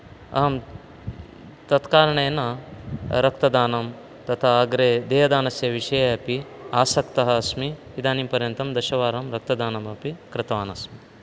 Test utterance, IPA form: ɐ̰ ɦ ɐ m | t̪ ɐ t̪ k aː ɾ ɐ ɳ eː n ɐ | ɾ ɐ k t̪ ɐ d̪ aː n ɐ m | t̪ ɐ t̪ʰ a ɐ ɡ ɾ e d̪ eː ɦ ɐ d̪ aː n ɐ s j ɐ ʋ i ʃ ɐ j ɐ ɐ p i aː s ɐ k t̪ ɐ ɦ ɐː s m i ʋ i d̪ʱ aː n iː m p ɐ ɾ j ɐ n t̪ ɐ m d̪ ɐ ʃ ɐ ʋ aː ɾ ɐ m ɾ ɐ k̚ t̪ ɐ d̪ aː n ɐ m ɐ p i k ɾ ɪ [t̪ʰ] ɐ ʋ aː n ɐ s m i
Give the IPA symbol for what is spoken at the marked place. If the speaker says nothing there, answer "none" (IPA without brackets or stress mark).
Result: t̪